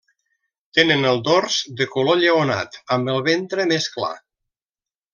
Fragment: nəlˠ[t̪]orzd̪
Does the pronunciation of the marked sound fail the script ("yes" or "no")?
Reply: yes